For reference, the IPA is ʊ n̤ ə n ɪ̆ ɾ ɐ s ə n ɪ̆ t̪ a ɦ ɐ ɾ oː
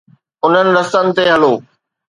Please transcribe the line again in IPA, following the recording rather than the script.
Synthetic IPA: ʊ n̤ ə n ɪ̆ ɾ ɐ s ə n ɪ̆ t̪ e ɦ ɐ l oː